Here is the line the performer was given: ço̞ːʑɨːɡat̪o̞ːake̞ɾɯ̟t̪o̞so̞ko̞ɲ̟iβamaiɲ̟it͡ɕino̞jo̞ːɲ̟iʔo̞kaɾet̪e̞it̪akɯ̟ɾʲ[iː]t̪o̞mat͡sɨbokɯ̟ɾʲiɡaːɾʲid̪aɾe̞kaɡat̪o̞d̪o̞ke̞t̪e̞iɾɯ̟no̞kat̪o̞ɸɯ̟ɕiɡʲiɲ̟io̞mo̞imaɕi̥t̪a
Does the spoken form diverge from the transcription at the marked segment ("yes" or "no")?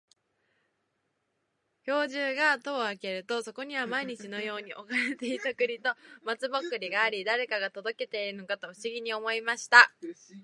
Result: yes